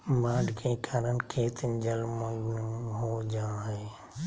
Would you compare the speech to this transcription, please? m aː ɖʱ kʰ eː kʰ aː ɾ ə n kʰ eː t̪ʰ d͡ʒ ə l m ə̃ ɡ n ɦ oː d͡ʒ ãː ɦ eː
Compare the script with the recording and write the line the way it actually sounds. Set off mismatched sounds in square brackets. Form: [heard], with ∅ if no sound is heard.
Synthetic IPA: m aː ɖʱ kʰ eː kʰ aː ɾ ə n kʰ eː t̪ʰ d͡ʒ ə l m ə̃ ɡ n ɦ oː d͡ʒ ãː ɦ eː